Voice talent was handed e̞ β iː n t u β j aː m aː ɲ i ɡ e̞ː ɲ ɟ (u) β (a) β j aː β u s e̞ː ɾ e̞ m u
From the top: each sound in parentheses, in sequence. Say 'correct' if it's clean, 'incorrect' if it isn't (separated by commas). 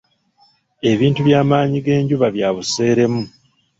correct, correct